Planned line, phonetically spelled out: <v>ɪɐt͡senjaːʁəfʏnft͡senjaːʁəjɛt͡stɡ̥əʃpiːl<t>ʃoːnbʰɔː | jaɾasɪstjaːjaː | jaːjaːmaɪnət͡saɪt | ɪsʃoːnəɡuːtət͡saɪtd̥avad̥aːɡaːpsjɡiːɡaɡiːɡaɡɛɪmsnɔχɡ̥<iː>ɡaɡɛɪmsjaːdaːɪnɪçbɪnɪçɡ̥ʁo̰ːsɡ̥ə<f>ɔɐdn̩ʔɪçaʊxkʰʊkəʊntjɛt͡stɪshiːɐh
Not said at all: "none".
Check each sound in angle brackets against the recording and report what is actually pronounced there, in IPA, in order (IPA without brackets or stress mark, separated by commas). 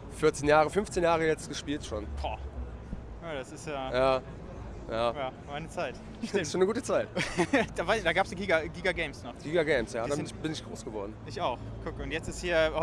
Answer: f, t, iː, v